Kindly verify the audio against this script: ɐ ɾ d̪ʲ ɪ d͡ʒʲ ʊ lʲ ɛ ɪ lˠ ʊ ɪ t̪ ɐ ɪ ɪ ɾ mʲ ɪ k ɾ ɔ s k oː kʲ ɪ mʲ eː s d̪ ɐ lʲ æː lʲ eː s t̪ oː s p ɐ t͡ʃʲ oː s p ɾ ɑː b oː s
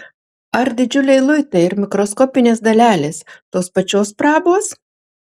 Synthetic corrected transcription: ɐ ɾ d̪ʲ ɪ d͡ʒʲ ʊ lʲ ɛ ɪ lˠ ʊ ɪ t̪ ɐ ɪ ɪ ɾ mʲ ɪ k ɾ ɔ s k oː pʲ ɪ nʲ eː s d̪ ɐ lʲ æː lʲ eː s t̪ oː s p ɐ t͡ʃʲ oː s p ɾ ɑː b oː s